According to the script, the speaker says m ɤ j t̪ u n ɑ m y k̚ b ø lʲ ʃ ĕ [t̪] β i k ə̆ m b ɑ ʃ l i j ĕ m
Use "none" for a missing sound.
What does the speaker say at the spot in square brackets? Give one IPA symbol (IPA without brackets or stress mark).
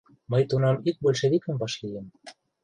none